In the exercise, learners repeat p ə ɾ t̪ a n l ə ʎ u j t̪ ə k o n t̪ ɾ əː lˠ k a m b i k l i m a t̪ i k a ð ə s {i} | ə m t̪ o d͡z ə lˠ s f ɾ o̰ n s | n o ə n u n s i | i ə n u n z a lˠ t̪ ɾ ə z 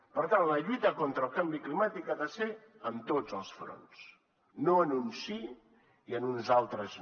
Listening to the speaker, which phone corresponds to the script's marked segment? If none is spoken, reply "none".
e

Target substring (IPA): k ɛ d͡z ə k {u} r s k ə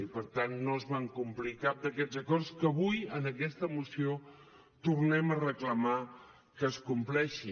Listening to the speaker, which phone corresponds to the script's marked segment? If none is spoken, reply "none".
ɔ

